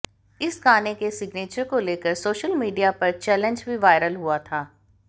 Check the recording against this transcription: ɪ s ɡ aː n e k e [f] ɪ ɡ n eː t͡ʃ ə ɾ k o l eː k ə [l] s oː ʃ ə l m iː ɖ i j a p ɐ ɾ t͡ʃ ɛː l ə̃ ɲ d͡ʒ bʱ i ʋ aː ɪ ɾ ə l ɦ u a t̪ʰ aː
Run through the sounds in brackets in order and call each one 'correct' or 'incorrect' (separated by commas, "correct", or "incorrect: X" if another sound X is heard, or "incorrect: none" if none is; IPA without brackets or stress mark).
incorrect: s, incorrect: ɾ